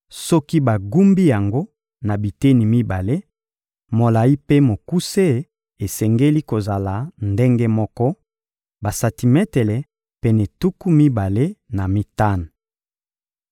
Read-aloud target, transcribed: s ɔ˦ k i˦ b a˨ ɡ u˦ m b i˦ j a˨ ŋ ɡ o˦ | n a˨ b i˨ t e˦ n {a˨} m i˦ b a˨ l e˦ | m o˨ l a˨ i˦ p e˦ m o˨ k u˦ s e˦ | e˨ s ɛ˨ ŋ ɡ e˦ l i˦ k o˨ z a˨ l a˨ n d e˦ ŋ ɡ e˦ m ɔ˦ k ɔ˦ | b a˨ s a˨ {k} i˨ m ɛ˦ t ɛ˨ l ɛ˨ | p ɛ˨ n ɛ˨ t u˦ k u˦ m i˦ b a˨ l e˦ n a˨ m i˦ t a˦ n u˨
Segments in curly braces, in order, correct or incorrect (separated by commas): incorrect, incorrect